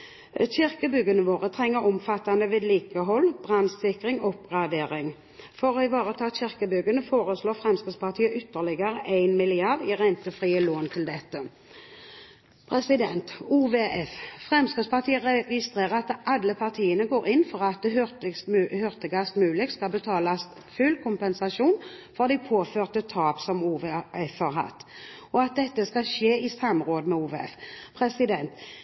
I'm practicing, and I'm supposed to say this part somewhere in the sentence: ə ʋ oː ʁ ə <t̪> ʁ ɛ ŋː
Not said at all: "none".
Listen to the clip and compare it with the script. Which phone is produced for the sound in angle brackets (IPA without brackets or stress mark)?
t̪ʰ